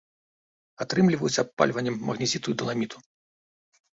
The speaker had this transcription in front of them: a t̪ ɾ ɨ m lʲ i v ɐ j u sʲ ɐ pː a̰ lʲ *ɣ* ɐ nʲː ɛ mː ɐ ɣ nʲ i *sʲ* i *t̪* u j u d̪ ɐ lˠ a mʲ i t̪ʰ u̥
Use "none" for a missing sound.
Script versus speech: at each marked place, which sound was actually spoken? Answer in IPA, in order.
v, zʲ, t̪

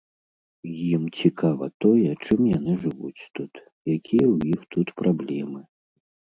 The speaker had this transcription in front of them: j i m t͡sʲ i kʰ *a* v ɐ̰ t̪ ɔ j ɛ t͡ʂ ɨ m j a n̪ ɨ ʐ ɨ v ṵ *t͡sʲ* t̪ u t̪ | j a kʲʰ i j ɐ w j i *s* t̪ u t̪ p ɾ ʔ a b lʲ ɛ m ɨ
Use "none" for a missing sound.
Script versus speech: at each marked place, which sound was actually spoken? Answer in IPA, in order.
a, t͡sʲ, x

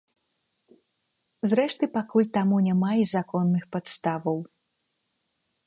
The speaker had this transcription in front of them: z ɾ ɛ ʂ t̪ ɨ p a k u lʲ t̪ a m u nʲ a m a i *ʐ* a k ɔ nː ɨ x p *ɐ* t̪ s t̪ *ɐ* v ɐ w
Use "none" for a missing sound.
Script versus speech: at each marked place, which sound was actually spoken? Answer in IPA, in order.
z, a, a

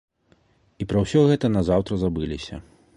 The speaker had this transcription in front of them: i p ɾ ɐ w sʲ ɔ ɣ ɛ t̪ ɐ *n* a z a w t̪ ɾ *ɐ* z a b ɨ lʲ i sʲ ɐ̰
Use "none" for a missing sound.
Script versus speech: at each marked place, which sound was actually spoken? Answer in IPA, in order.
n, ɐ

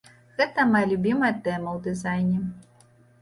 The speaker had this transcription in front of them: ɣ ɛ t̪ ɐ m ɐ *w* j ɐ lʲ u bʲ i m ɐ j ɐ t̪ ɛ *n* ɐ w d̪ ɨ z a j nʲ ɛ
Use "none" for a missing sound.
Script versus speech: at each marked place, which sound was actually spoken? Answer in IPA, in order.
none, m

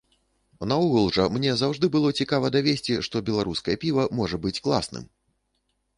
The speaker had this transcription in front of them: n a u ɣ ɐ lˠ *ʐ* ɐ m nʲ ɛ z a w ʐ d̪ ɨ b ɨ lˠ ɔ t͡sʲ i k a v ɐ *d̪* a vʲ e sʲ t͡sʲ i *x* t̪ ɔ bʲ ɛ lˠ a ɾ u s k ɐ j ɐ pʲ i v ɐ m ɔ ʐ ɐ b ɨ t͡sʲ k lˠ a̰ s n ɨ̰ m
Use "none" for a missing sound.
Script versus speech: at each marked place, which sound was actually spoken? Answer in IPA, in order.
ʐ, d̪, ʂ

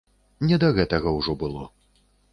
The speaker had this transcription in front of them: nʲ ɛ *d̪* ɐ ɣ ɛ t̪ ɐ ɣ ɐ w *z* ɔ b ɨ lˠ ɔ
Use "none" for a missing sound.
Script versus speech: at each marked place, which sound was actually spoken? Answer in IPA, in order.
d̪, ʐ

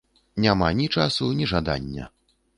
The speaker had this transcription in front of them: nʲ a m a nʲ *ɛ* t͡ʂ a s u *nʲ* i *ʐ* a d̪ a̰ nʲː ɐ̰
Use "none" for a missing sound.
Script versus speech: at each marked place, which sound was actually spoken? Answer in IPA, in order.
i, nʲ, ʐ

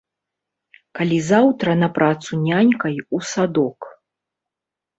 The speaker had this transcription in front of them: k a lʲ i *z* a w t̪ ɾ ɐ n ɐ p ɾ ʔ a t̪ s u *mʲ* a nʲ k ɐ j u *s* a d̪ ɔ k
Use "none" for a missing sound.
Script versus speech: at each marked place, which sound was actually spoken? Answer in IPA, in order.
z, nʲ, s

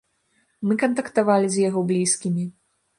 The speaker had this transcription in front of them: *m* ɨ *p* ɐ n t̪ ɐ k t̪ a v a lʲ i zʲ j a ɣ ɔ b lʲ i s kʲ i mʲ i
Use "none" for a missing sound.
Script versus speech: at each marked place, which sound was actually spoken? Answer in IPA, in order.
m, k

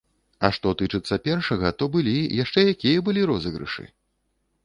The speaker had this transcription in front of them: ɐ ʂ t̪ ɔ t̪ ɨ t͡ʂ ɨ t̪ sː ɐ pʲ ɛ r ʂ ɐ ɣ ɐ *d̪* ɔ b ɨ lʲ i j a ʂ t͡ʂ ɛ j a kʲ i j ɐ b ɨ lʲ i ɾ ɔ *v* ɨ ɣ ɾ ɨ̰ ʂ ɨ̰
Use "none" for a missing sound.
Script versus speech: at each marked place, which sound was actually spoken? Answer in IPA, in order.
t̪, z

